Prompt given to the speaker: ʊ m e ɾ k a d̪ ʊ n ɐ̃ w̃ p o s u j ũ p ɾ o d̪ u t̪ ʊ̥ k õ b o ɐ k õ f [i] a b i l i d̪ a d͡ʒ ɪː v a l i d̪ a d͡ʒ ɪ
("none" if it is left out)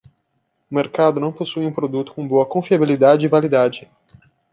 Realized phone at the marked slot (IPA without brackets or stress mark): i